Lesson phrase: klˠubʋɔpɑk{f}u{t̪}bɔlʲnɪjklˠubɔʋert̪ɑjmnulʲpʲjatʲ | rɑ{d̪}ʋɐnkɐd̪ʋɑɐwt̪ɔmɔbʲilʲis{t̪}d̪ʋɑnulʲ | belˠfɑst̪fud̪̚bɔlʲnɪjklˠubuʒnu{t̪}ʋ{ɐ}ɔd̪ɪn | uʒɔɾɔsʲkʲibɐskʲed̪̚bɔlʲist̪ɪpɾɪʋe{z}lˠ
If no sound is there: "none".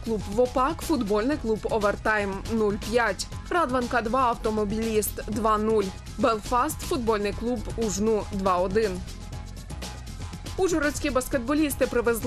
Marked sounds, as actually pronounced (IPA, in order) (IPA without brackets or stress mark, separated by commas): f, d̪, d̪, t̪, d̪, ɑ, z